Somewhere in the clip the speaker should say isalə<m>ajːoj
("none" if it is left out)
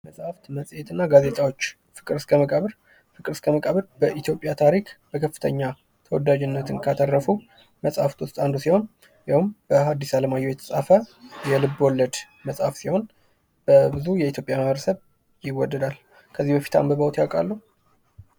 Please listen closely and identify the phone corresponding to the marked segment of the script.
m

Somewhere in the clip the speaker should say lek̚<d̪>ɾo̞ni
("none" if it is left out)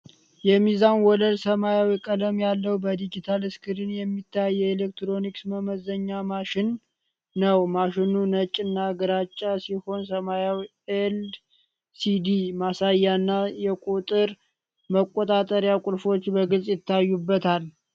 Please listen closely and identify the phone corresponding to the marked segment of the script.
t̪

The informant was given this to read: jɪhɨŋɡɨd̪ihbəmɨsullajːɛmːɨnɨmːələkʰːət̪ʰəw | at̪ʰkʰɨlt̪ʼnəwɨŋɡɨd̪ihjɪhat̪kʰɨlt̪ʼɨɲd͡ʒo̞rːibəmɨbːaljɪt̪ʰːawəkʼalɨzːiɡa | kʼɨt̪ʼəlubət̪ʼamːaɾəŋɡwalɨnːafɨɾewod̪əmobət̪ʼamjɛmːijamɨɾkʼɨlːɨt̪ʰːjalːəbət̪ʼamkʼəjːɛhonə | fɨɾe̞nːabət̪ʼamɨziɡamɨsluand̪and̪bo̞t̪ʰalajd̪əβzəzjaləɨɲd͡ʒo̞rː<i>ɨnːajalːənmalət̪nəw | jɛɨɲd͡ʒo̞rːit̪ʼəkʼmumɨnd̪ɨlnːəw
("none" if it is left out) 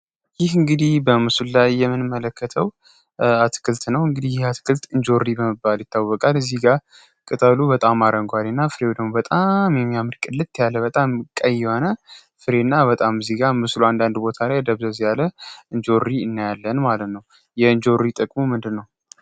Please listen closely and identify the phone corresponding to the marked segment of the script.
i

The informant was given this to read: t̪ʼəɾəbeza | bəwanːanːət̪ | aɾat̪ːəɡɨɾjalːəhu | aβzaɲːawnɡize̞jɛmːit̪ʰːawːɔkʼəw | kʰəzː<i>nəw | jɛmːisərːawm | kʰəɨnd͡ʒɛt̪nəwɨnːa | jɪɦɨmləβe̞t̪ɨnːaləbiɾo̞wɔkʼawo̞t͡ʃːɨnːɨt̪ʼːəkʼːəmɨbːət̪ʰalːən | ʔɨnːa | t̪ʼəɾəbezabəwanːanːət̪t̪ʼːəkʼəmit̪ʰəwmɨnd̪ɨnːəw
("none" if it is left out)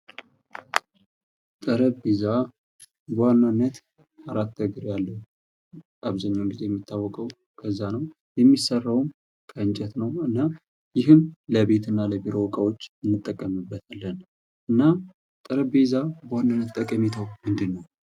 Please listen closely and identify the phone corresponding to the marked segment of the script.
a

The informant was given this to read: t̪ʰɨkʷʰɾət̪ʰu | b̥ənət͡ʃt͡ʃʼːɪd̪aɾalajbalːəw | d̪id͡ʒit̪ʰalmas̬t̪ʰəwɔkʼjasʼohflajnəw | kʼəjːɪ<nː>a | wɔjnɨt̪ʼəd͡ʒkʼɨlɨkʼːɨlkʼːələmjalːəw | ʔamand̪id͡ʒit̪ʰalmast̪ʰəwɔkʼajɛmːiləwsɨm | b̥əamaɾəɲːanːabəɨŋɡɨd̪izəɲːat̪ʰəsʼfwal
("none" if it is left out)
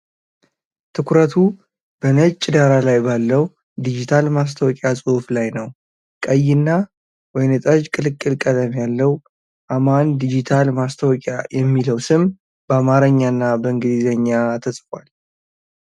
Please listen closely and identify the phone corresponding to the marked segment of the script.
nː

